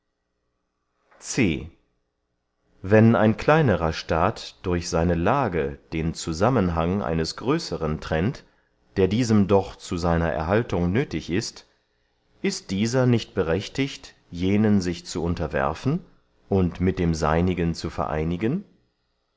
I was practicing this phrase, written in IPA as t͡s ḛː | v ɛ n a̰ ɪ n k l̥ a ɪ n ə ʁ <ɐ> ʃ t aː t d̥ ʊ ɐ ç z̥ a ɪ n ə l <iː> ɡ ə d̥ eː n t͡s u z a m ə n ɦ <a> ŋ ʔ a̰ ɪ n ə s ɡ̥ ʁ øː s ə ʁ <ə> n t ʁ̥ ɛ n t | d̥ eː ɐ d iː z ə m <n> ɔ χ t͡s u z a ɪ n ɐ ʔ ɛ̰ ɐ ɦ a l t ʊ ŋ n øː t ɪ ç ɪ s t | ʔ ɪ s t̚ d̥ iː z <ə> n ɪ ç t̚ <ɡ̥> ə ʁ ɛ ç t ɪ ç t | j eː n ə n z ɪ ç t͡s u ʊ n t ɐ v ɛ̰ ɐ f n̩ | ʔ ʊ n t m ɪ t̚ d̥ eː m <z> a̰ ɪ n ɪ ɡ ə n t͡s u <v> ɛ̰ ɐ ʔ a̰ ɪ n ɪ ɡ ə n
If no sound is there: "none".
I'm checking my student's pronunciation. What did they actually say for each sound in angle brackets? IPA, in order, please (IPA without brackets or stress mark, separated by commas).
ɐ, aː, a, ə, d, ɐ, b̥, z, f